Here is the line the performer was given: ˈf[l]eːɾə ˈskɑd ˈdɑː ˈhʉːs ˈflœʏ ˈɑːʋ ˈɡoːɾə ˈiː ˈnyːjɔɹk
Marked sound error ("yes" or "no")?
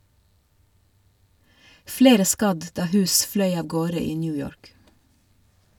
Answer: no